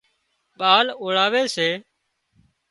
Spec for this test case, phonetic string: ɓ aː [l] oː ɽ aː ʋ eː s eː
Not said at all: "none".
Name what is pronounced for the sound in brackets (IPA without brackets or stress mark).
l